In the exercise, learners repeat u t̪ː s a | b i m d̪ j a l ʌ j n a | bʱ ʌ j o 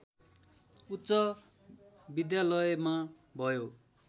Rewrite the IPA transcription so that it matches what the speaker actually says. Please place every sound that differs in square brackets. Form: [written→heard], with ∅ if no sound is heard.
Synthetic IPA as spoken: u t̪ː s [a→ʌ] | b i [m→∅] d̪ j a l ʌ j [n→m] a | bʱ ʌ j o